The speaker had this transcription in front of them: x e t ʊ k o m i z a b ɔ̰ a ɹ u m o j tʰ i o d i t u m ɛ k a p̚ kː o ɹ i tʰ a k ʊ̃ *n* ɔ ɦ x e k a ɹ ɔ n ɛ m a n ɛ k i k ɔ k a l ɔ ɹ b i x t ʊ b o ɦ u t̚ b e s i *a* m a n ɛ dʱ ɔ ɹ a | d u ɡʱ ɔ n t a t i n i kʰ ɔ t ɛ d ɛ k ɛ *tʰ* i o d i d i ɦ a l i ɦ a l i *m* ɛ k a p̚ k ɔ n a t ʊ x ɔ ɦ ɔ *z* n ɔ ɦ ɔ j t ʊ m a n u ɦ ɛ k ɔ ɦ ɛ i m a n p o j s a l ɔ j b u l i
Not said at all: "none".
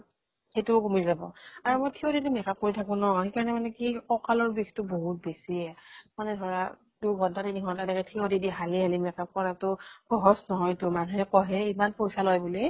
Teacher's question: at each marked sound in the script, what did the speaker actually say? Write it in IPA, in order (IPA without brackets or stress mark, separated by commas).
n, ɛ, tʰ, m, s